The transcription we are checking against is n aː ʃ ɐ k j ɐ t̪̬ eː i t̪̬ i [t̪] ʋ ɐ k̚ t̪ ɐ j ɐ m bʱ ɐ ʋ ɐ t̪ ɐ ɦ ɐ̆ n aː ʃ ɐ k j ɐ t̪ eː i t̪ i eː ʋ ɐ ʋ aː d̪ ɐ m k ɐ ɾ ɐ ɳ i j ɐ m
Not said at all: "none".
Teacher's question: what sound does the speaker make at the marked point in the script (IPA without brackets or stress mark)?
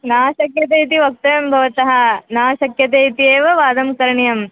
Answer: none